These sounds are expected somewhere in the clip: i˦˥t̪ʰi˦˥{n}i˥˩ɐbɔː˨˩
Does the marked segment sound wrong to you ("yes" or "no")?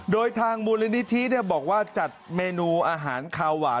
no